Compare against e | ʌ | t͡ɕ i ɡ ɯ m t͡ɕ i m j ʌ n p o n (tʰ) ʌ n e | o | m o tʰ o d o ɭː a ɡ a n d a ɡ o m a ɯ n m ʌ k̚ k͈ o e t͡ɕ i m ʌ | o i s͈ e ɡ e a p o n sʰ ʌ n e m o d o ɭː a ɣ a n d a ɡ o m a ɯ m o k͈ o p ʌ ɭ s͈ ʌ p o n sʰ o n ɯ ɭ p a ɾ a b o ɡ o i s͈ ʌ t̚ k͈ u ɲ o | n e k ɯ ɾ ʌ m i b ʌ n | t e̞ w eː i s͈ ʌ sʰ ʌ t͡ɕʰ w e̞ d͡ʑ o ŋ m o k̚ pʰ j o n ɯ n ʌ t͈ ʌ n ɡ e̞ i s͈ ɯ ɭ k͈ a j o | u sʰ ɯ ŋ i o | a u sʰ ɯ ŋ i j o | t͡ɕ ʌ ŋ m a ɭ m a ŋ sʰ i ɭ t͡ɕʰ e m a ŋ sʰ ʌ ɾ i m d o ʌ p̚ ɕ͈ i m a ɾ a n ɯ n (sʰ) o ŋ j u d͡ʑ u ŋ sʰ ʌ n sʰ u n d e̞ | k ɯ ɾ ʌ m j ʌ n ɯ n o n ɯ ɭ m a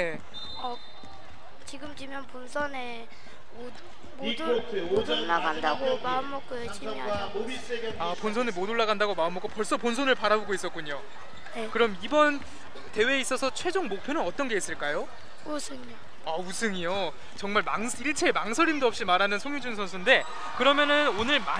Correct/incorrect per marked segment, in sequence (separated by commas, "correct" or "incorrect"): incorrect, correct